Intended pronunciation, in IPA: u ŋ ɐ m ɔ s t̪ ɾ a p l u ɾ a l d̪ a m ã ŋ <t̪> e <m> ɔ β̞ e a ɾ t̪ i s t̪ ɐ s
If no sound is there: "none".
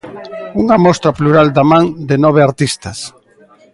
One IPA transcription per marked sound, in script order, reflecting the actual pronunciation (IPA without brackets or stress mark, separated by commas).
d̪, n